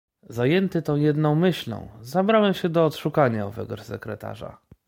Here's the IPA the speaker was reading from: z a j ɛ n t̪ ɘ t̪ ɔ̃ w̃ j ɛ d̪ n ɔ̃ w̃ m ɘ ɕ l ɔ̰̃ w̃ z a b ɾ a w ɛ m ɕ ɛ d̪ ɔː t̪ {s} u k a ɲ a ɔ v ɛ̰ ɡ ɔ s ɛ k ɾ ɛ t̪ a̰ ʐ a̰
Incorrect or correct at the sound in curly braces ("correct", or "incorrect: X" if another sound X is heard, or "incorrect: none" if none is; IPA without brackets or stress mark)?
incorrect: ʂ